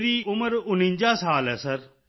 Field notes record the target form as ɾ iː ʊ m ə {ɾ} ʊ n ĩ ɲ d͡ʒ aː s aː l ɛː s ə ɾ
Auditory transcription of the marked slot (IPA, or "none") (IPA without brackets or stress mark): ɾ